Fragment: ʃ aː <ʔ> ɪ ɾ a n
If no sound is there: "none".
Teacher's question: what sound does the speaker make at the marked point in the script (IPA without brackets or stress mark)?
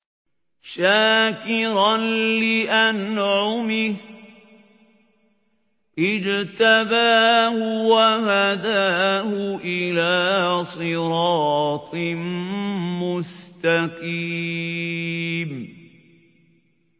k